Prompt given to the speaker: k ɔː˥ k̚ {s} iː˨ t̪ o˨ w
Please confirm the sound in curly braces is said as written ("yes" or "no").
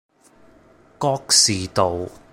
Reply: yes